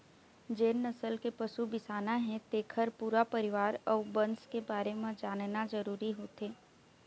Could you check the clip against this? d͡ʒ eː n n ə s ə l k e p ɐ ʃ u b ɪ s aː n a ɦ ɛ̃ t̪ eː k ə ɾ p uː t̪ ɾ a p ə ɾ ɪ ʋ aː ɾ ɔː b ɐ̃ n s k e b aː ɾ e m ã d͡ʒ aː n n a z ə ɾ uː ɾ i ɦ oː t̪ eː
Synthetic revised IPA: d͡ʒ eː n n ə s ə l k e p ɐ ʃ u b ɪ s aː n a ɦ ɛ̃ t̪ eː kʰ ə ɾ p uː ɾ a p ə ɾ ɪ ʋ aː ɾ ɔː b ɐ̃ n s k e b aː ɾ e m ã d͡ʒ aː n n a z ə ɾ uː ɾ i ɦ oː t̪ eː